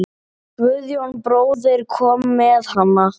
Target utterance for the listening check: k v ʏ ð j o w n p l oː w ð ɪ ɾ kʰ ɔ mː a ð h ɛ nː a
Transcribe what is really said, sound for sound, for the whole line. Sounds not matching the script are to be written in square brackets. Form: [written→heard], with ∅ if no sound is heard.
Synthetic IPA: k v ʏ ð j o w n p [l→ɾ] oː w ð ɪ ɾ kʰ [ɔ→ɔː] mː [a→ɛ] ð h [ɛ→a] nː a